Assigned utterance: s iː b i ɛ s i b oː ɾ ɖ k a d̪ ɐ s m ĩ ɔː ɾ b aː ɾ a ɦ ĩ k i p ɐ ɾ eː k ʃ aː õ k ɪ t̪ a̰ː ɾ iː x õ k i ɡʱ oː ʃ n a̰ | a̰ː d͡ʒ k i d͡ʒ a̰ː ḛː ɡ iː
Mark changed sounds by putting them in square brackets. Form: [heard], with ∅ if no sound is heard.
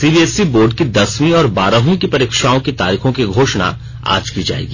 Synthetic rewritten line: s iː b i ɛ s i b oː ɾ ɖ k [i] d̪ ɐ s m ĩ ɔː ɾ b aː ɾ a ɦ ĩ k i p ɐ ɾ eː k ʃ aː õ k [i] t̪ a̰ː ɾ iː x õ k i ɡʱ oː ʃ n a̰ | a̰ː d͡ʒ k i d͡ʒ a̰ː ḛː ɡ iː